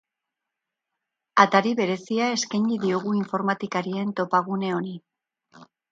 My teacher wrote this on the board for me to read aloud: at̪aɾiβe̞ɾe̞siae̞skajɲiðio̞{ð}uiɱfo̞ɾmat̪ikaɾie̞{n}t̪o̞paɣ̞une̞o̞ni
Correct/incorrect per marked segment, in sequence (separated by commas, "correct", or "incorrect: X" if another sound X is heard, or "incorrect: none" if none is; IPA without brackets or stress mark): incorrect: ɣ, correct